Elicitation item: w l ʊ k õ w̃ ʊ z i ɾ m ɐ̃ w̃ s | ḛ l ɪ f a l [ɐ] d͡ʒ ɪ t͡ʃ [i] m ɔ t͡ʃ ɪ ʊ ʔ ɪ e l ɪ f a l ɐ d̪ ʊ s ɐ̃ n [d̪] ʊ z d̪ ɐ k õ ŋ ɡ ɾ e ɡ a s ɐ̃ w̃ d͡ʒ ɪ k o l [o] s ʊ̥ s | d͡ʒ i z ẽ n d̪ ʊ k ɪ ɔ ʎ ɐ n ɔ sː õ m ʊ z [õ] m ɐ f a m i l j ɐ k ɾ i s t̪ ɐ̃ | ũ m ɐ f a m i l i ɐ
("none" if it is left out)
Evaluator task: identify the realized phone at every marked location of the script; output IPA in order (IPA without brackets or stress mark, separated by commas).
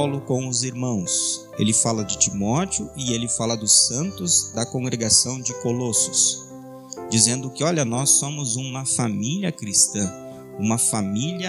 ɐ, i, t̪, o, ũ